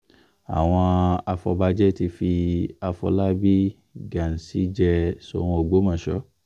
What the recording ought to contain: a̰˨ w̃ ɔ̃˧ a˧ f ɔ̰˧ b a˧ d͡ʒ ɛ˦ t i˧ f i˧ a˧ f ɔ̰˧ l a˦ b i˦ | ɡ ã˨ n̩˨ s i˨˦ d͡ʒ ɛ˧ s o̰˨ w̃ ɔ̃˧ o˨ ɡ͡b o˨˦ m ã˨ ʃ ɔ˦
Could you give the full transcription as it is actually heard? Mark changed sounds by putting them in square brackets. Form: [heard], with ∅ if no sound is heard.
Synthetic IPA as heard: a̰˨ w̃ ɔ̃˧ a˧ f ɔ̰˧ b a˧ d͡ʒ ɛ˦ t i˧ f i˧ a˧ f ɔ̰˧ l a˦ b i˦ | ɡ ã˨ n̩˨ s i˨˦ d͡ʒ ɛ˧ s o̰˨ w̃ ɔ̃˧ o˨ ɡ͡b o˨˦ m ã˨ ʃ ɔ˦